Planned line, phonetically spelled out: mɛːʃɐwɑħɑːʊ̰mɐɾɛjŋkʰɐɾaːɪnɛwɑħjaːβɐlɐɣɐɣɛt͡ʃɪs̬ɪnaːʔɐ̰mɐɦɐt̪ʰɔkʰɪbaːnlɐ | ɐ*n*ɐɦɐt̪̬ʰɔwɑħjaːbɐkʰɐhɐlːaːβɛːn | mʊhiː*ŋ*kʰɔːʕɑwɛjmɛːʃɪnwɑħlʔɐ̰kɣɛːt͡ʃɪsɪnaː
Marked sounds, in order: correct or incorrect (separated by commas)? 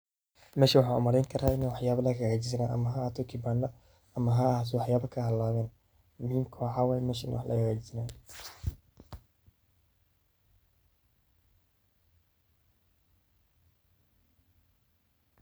incorrect, incorrect